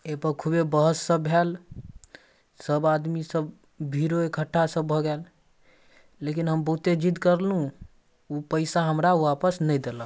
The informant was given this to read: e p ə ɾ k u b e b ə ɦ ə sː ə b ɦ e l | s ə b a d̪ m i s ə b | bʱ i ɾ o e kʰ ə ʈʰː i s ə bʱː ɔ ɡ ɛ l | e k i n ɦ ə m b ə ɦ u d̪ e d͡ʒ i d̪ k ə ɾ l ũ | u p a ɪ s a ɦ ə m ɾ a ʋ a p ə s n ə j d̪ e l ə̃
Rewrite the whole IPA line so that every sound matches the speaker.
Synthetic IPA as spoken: e p ə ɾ kʰ u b e b ə ɦ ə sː ə b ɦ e l | s ə b a d̪ m i s ə b | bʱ i ɾ o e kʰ ə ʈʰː a s ə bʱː ɔ ɡ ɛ l | e k i n ɦ ə m b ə ɦ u t̪ e d͡ʒ i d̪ k ə ɾ l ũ | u p ə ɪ s a ɦ ə m ɾ a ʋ a p ə s n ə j d̪ e l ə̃